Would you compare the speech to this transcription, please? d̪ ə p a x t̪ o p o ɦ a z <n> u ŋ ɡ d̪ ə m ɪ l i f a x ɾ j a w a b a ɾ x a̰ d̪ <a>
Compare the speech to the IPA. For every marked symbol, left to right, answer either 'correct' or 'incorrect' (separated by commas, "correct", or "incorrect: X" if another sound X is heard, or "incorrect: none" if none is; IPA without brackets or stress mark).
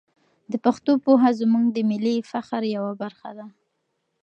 incorrect: m, correct